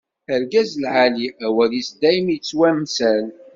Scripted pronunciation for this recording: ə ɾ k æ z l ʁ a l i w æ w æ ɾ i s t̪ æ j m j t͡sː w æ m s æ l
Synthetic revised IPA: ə ɾ ɡ æ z l ʕ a l i æ w æ l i s d̪ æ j m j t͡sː w æ m s æ l

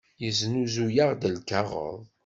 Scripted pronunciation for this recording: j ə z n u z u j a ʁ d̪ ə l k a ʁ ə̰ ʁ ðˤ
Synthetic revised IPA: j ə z n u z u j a ʁ d̪ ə l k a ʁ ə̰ ðˤ

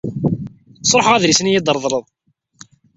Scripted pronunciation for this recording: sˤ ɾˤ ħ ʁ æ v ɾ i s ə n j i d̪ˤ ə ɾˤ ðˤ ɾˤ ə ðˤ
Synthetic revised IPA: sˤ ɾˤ ħ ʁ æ ð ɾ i s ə n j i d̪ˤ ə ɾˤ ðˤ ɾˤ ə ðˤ

